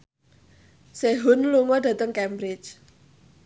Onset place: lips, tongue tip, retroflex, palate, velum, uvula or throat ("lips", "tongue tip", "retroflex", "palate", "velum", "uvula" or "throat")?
tongue tip